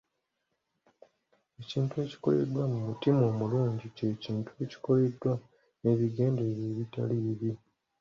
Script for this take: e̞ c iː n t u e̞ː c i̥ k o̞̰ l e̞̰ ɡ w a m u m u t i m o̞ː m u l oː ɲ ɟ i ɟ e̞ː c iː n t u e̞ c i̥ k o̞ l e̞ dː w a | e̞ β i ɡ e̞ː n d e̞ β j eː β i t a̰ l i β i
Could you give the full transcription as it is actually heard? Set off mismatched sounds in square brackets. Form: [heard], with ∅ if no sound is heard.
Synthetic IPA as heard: e̞ c iː n t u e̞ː c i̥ k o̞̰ l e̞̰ [d] w a m u m u t i m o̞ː m u l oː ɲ ɟ i [c] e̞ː c iː n t u e̞ c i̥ k o̞ l e̞ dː w a | e̞ β i ɡ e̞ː n d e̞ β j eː β i t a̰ l i β i